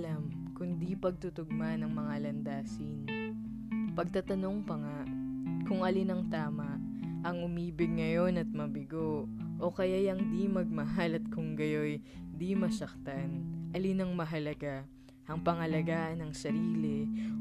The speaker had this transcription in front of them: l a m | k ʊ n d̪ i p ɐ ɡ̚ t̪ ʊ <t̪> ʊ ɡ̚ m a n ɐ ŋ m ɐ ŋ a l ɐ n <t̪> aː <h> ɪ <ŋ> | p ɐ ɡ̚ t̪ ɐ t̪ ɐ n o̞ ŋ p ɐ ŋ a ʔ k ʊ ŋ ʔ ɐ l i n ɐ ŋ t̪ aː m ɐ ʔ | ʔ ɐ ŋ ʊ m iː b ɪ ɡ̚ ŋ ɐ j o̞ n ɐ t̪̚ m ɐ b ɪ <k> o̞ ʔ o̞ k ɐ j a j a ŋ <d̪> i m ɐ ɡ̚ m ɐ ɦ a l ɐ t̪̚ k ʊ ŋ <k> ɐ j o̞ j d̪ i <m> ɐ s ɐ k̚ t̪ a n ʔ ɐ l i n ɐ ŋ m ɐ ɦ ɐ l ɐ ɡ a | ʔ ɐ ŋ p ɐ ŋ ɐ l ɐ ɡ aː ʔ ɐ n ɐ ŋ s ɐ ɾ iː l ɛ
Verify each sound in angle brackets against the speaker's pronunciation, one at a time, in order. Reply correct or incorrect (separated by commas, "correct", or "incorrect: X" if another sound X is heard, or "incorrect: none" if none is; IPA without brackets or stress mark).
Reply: correct, incorrect: d̪, incorrect: s, incorrect: n, incorrect: ɡ, correct, incorrect: ɡ, correct